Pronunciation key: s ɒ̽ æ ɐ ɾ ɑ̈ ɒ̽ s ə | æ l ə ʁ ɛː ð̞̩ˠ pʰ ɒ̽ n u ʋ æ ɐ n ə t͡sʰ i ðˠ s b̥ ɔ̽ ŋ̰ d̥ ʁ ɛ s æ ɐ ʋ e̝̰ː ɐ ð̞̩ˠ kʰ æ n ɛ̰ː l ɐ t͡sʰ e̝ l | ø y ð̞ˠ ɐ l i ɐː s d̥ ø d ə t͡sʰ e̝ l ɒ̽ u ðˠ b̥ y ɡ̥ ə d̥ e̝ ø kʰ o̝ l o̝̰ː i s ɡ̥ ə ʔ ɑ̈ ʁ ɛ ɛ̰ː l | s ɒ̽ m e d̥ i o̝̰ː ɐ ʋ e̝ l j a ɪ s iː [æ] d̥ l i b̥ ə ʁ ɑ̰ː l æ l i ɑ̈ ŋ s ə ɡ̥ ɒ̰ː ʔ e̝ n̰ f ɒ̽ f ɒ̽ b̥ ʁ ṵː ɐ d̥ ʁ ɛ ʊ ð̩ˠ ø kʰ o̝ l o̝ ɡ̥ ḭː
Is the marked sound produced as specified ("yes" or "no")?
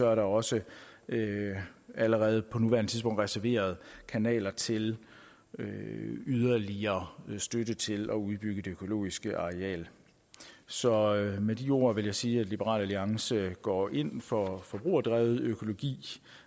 yes